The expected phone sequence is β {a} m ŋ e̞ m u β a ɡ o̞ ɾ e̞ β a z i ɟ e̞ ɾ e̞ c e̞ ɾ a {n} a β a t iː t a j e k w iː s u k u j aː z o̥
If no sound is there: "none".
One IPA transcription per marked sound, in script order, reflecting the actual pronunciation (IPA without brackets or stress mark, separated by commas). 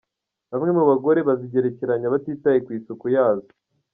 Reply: a, ɲ